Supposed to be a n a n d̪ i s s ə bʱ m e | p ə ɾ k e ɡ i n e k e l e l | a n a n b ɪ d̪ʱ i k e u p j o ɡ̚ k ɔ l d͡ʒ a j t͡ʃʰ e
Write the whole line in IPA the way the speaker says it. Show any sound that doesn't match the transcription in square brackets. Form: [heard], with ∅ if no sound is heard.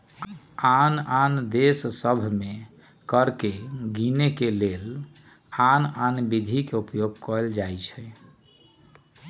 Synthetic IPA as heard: a n a n d̪ [e] s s ə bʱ m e | [k] ə ɾ k e ɡ i n e k e l e l | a n a n b [i] d̪ʱ i k e u p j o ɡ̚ k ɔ l d͡ʒ a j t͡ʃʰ [ɛ]